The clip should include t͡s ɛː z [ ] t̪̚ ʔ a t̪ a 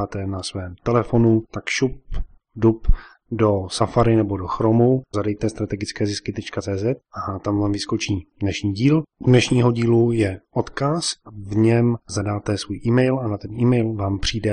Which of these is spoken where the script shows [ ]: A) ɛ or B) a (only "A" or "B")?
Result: A